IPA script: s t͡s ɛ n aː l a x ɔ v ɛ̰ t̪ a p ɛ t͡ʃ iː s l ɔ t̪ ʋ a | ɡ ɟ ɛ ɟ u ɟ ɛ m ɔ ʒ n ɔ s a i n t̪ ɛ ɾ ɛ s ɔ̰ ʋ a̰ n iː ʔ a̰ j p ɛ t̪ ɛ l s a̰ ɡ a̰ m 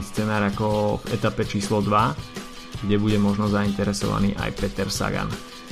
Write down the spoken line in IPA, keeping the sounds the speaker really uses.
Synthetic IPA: s t͡s ɛ n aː ɾ a k ɔ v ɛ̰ t̪ a p ɛ t͡ʃ iː s l ɔ d̪ ʋ a | ɡ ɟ ɛ b u ɟ ɛ m ɔ ʒ n ɔ z a i n t̪ ɛ ɾ ɛ s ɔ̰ ʋ a̰ n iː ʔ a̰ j p ɛ t̪ ɛ ɾ s a̰ ɡ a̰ n